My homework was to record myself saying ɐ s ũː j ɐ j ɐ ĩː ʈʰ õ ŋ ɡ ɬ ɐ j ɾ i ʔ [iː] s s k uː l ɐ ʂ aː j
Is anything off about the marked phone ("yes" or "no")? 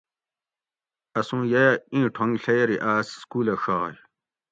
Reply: yes